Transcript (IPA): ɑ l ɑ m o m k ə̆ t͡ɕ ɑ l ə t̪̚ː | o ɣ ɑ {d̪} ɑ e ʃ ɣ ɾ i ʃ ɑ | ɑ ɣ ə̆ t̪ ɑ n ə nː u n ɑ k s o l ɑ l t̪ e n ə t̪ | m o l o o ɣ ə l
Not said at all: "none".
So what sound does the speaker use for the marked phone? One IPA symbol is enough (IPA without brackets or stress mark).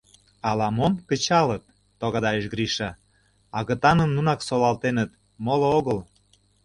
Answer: d̪